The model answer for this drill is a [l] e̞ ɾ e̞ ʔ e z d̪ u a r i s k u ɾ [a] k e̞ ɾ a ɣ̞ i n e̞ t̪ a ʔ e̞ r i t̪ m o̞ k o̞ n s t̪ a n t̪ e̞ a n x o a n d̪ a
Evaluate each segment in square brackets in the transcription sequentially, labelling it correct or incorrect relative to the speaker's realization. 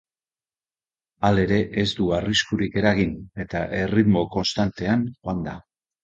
correct, incorrect

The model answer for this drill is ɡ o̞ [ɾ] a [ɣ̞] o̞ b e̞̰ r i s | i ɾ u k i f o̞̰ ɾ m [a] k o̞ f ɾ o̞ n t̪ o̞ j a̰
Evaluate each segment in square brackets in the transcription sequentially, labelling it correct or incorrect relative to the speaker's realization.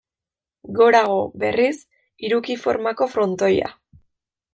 correct, correct, correct

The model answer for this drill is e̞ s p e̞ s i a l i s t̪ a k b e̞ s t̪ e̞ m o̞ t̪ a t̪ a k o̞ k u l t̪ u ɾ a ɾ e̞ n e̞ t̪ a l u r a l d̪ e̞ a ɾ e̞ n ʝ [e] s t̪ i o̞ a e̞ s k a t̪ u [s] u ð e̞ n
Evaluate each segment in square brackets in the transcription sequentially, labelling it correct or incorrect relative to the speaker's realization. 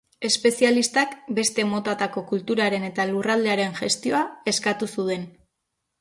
correct, correct

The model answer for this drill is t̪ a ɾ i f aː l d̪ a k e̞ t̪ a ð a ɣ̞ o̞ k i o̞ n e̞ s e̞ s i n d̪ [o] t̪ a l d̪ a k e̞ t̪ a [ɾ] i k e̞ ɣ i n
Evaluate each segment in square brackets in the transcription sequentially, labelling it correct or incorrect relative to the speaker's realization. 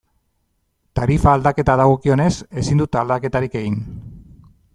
incorrect, correct

